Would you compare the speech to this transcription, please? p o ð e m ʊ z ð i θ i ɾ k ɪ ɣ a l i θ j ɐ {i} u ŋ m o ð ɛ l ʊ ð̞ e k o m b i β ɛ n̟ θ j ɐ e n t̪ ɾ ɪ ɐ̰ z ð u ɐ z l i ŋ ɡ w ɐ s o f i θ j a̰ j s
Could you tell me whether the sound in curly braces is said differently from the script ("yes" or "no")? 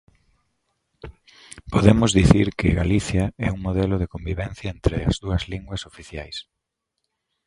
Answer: yes